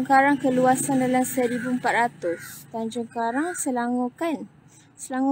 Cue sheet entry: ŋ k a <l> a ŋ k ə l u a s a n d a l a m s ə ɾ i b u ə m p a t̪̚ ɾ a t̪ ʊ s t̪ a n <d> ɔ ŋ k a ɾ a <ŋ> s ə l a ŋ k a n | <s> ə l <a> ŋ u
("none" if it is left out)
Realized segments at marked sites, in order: ɾ, d͡ʒ, ŋ, s, a

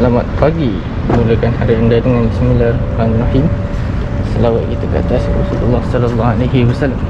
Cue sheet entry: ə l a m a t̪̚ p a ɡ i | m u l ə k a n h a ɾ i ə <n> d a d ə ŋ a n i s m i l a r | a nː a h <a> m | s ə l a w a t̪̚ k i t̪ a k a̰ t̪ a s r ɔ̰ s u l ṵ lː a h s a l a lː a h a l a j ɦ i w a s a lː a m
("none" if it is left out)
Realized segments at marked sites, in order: n, i

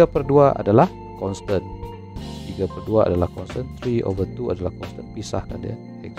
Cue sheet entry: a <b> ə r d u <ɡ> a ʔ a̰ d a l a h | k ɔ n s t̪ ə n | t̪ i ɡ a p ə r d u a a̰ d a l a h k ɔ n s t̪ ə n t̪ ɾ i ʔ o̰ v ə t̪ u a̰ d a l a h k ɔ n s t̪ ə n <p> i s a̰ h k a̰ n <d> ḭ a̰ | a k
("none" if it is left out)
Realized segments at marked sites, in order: p, none, p, d

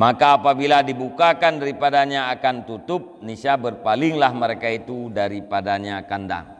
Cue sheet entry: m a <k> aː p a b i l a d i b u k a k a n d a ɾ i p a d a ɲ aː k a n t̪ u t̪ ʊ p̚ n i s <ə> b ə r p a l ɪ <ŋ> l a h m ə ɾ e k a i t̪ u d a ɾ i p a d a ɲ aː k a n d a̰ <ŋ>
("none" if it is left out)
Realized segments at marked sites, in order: k, a, ŋ, ŋ

